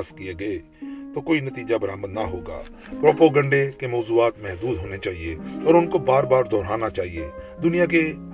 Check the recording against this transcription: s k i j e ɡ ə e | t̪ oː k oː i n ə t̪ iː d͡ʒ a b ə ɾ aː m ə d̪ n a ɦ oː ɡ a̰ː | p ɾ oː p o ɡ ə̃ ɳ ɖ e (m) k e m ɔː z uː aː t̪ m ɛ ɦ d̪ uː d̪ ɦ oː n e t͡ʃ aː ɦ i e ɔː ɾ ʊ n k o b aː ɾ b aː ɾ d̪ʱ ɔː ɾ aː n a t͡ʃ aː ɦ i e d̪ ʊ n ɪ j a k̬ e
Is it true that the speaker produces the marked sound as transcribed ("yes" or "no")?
no